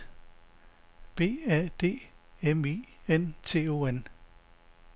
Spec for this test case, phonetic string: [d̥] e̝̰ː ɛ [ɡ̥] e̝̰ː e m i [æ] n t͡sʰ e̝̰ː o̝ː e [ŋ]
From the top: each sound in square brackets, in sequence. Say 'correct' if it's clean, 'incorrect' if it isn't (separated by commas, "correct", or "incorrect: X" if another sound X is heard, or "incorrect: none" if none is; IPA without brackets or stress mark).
incorrect: b̥, incorrect: d̥, incorrect: e, incorrect: n